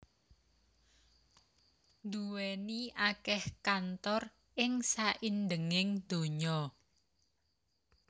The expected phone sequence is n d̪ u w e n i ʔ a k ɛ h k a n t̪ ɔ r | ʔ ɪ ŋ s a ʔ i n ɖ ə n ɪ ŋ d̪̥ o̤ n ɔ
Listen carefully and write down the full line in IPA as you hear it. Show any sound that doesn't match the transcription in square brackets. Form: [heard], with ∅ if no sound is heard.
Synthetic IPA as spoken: n d̪ u w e n i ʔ a k ɛ h k a n t̪ ɔ r | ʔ ɪ ŋ s a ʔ i n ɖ ə [ŋ] ɪ ŋ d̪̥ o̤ [ɲ] ɔ